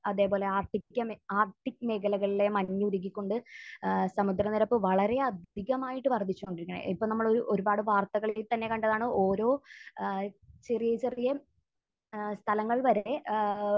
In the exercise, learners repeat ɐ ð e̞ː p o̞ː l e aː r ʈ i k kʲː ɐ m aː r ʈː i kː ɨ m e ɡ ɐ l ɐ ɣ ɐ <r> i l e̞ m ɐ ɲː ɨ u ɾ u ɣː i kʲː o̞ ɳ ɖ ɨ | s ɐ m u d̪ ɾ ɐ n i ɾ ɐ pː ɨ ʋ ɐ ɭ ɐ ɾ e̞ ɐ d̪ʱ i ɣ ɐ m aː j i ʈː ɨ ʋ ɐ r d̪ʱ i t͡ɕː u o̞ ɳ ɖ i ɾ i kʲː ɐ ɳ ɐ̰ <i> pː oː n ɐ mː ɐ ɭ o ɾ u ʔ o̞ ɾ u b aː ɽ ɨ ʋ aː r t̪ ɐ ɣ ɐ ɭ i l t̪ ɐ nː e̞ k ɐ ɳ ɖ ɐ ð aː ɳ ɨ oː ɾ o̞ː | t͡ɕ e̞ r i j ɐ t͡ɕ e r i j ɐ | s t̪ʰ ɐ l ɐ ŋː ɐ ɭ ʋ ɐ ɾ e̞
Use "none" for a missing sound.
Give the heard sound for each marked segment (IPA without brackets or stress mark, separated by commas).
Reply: ɭ, i